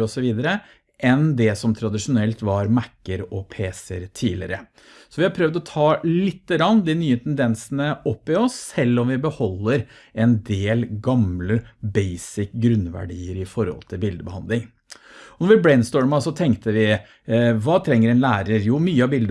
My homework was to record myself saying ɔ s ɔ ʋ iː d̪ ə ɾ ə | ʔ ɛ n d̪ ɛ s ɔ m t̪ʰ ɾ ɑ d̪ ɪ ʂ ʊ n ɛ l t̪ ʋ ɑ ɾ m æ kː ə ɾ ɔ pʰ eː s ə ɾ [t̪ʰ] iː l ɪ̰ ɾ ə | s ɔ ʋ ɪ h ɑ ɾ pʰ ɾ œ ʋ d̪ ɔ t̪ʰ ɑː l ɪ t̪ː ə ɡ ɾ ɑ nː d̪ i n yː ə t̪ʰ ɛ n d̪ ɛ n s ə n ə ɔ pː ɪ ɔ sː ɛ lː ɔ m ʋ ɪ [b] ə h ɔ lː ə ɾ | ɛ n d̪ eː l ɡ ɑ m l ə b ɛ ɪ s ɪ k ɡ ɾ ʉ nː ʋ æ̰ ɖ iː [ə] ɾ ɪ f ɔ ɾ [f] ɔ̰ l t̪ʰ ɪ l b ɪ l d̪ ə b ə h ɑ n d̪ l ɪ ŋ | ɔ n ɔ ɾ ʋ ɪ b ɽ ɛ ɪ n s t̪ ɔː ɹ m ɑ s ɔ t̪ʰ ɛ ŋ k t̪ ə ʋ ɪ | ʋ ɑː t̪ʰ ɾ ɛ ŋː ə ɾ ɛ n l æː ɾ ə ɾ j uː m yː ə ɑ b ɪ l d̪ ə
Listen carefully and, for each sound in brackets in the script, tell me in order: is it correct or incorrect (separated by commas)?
correct, correct, correct, incorrect